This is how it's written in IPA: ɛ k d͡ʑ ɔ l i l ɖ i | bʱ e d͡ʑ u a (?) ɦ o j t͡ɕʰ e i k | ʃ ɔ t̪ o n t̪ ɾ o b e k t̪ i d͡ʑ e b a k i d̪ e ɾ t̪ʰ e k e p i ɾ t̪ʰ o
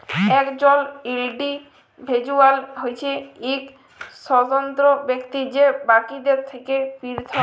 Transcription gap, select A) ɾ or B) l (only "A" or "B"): B